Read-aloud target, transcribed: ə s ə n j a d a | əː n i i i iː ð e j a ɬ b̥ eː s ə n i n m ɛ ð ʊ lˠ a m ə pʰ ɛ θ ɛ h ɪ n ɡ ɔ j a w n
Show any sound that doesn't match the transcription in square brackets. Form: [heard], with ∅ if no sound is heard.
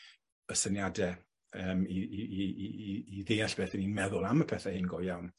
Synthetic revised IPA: ə s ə n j a d [ɛ] | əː [m] i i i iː ð e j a ɬ b̥ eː [θ] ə n i n m ɛ ð ʊ lˠ a m ə pʰ ɛ θ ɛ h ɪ n ɡ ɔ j a w n